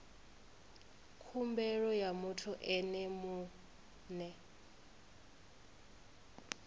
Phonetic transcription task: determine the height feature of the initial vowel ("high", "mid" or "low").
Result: high